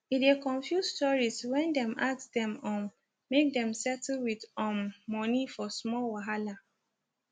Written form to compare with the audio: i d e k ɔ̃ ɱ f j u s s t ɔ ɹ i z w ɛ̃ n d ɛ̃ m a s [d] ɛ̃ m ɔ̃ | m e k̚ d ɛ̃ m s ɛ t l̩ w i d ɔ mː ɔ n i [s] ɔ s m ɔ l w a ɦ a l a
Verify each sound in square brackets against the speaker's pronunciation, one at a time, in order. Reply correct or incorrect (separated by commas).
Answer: correct, incorrect